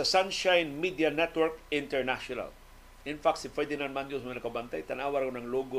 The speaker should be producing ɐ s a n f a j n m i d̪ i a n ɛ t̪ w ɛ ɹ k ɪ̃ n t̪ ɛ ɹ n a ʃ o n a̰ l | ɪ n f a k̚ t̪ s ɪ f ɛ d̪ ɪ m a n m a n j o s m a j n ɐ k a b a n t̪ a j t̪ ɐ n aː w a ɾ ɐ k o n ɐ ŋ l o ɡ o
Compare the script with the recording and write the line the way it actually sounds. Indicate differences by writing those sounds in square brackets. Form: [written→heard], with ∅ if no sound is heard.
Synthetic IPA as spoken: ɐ s a n [f→ʃ] a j n m i d̪ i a n ɛ t̪ w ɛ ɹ k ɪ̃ n t̪ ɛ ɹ n a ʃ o n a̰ l | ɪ n f a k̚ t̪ s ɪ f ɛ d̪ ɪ [m→n] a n m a n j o s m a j n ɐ k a b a n t̪ a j t̪ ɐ n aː w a ɾ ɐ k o n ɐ ŋ l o ɡ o